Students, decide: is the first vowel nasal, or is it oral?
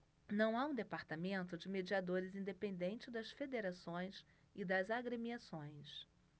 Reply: nasal